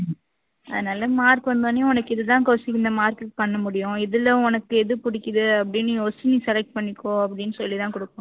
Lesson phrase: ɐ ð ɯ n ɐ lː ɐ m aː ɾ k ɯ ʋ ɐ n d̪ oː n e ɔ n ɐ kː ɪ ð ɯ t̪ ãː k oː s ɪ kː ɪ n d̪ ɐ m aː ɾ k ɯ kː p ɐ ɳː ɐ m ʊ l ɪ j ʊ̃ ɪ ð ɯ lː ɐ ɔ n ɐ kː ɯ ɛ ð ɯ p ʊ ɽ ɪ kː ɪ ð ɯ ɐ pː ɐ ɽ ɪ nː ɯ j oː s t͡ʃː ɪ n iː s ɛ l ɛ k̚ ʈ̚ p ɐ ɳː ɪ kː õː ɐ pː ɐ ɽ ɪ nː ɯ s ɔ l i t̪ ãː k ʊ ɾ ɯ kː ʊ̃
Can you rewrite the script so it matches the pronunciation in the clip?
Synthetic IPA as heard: ɐ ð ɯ n ɐ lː ɐ m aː ɾ k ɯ ʋ ɐ n d̪ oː n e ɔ n ɐ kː ɪ ð ɯ t̪ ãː k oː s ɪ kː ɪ n d̪ ɐ m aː ɾ k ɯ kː p ɐ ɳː ɐ m ʊ ɽ ɪ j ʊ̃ ɪ ð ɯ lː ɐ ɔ n ɐ kː ɯ ɛ ð ɯ p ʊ ɽ ɪ kː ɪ ð ɯ ɐ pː ɐ ɽ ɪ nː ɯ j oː s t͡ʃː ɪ n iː s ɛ l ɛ k̚ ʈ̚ p ɐ ɳː ɪ kː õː ɐ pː ɐ ɽ ɪ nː ɯ s ɔ lː i t̪ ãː k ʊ ɽ ɯ kː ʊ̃

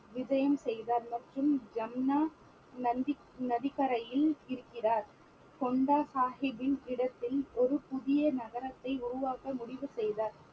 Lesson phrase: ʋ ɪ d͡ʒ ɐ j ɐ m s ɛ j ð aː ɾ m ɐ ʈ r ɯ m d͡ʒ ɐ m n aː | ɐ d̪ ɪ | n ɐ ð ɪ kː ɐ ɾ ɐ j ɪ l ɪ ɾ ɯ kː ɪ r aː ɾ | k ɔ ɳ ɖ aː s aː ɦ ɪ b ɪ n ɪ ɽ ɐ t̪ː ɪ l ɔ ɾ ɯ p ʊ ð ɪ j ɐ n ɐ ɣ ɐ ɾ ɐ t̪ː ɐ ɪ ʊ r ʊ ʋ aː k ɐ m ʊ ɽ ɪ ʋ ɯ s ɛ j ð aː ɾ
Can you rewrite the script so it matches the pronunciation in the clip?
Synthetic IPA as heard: ʋ ɪ d͡ʒ ɐ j ɐ m s ɛ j ð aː ɾ m ɐ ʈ r ɯ m d͡ʒ ɐ m n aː | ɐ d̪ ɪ | n ɐ ð ɪ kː ɐ ɾ ɐ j ɪ l ɪ ɾ ɯ kː ɪ r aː ɾ | k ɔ ɳ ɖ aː s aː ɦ ɪ b ɪ n ɪ ɽ ɐ t̪ː ɪ l ɔ ɾ ɯ p ʊ ð ɪ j ɐ n ɐ ɣ ɐ ɾ ɐ t̪ː ɐ ɪ ʊ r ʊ ʋ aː k ɐ m ʊ ɽ ɪ ʋ ɯ s ɛ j ð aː ɾ

